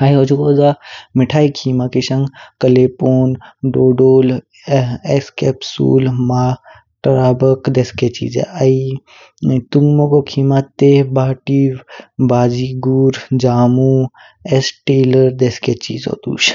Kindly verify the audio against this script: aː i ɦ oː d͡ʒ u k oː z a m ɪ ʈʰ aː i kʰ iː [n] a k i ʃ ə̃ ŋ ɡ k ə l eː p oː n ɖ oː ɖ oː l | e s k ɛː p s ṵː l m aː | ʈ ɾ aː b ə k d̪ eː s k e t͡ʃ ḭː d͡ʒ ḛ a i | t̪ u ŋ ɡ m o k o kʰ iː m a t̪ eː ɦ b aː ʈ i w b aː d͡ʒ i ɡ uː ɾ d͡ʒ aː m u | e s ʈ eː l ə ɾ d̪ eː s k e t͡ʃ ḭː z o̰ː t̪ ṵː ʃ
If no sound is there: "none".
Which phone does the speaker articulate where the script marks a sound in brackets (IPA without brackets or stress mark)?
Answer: m